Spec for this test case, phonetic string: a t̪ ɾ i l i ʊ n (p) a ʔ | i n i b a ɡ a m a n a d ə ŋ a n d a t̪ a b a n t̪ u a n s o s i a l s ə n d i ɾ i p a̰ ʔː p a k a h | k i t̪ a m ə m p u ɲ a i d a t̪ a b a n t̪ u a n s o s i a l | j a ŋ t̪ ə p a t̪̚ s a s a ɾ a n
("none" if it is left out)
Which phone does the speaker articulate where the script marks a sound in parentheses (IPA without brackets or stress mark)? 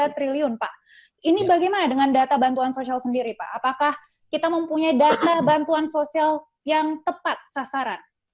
p